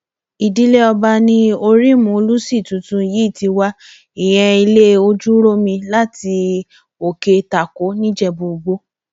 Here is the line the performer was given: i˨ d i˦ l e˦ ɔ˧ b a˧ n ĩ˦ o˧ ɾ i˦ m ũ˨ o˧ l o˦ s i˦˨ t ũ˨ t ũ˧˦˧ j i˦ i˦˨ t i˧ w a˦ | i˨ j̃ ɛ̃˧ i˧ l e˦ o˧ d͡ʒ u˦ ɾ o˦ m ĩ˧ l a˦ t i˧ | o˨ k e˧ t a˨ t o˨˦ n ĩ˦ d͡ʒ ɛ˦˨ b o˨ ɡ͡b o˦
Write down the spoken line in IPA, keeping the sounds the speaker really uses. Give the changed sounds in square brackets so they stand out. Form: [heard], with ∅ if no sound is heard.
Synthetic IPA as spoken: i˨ d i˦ l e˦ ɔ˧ b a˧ n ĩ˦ o˧ ɾ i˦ m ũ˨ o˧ l [u˦] s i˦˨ t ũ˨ t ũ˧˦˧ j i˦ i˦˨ t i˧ w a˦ | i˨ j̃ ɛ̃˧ i˧ l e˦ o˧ d͡ʒ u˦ ɾ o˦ m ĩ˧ l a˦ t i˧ | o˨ k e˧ t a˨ [k] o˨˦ n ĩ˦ d͡ʒ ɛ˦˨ b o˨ ɡ͡b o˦

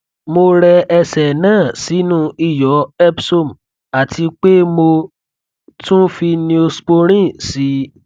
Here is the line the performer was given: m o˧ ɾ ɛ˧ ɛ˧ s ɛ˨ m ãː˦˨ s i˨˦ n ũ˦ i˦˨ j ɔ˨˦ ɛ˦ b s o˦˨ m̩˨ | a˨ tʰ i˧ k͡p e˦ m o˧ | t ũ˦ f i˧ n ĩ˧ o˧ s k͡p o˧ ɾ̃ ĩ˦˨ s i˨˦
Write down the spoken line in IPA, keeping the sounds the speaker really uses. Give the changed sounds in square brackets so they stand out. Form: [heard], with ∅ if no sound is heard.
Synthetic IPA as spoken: m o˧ ɾ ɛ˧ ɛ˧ s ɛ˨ [n] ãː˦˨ s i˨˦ n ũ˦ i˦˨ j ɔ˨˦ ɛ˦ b s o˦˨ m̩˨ | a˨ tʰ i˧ k͡p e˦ m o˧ | t ũ˦ f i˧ n ĩ˧ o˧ s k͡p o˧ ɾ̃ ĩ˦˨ s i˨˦

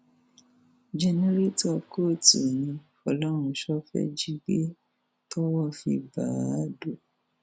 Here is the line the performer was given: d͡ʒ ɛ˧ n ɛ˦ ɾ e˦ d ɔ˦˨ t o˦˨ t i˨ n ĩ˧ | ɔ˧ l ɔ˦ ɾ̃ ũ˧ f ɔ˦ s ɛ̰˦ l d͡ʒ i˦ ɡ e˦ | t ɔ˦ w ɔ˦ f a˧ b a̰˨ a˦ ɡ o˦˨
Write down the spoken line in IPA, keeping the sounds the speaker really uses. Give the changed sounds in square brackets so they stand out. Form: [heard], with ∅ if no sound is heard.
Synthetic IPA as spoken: d͡ʒ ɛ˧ n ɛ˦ ɾ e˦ [t] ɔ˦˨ [k] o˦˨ t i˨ n ĩ˧ | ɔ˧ l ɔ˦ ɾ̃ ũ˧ [ʃ] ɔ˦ [f] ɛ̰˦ [∅] d͡ʒ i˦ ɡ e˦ | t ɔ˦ w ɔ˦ f [i˧] b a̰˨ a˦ [d] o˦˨

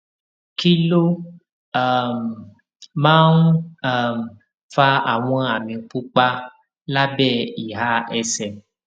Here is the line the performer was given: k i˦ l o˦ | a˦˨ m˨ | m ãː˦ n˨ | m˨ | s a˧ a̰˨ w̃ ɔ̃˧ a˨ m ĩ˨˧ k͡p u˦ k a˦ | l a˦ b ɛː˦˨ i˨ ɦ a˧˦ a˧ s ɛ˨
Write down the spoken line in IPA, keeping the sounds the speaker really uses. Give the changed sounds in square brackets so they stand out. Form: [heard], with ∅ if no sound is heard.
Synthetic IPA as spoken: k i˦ l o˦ | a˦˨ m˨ | m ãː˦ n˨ | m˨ | [f] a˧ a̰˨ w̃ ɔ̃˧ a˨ m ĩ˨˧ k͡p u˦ [k͡p] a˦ | l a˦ b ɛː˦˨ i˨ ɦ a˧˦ [ɛ˧] s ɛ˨

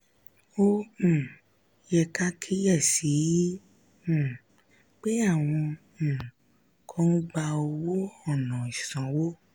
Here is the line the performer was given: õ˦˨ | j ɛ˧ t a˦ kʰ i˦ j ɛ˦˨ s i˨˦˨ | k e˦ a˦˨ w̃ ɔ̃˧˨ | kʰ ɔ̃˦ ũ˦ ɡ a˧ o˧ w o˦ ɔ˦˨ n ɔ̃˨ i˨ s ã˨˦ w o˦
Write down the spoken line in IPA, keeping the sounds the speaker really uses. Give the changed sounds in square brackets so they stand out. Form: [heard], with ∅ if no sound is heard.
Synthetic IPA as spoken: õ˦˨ | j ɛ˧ [k] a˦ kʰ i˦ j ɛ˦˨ s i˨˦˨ | [k͡p] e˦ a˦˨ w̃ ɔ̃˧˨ | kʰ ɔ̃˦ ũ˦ [ɡ͡b] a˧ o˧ w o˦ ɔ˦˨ n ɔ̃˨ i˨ s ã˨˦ w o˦

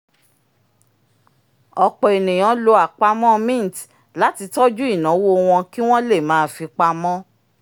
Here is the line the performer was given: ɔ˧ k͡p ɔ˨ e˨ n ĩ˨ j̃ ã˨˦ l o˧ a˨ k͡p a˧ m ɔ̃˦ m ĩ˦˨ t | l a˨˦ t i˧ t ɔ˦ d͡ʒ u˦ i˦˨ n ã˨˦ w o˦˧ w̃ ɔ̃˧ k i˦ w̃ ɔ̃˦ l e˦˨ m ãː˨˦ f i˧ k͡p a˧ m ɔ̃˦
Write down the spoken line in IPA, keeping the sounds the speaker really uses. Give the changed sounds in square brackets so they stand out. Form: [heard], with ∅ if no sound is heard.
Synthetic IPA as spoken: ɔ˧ k͡p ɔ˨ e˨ n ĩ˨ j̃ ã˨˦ l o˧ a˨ k͡p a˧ m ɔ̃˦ m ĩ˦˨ t | l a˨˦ t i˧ t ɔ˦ d͡ʒ u˦ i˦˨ n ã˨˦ w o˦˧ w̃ ɔ̃˧ k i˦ w̃ ɔ̃˦ l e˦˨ m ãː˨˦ f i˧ k͡p a˧ m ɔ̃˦

